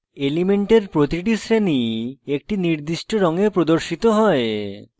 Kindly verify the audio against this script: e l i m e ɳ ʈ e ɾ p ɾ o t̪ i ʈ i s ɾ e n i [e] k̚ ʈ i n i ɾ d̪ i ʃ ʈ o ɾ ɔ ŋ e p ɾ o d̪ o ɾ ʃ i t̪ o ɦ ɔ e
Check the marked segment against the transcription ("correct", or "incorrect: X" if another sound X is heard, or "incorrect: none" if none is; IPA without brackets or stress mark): correct